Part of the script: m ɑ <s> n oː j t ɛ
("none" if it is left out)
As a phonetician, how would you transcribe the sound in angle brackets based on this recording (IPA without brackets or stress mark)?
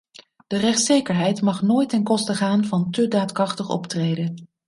χ